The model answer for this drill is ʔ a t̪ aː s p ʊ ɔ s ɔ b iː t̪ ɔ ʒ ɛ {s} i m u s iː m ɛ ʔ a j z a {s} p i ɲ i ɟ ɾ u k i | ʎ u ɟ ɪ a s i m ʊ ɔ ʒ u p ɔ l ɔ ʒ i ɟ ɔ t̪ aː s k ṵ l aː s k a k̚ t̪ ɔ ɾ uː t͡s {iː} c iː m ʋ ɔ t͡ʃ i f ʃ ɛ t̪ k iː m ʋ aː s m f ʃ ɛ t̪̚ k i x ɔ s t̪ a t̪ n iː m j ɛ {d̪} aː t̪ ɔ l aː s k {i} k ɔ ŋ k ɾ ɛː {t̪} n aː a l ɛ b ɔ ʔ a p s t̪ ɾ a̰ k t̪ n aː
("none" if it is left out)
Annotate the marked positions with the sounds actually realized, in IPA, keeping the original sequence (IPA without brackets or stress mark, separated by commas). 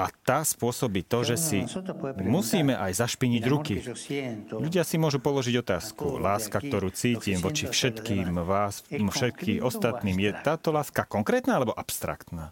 s, ʃ, iː, t̪, a, t̪